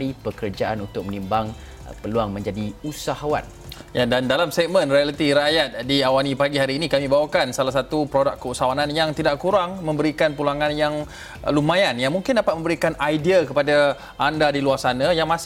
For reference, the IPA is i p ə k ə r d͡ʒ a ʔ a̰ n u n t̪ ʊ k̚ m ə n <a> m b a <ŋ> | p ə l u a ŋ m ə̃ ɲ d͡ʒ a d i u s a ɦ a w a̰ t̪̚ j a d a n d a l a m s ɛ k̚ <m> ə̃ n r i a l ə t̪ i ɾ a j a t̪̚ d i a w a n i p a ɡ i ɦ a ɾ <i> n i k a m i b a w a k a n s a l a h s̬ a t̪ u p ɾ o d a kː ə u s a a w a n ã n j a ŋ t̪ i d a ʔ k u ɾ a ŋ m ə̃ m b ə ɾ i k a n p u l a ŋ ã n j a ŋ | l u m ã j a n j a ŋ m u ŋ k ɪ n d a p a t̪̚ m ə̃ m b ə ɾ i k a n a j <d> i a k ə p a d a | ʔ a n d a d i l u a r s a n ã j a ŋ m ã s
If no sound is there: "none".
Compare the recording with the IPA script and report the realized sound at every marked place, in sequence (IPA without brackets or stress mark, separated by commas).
i, ŋ, m, iː, d